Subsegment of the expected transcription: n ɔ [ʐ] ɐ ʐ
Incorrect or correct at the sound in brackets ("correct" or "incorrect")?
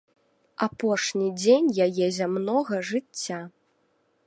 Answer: incorrect